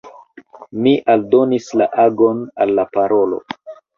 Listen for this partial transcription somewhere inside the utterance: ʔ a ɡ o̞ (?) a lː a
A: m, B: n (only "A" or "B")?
B